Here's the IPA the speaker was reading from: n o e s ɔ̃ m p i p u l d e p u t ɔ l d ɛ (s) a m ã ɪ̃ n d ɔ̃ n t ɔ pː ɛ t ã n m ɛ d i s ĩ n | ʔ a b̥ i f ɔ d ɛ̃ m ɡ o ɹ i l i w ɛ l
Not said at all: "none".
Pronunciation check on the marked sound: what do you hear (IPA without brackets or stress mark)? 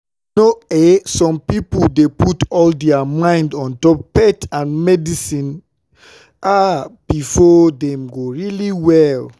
none